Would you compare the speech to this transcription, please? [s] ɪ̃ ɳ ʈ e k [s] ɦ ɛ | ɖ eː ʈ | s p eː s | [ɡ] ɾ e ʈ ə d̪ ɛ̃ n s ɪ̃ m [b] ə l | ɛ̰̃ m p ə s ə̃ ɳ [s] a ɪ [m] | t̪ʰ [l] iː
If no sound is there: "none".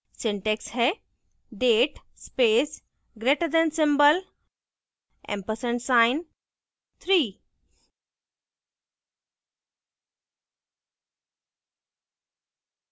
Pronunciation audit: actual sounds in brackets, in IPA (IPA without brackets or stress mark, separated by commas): s, s, ɡ, b, s, n, ɾ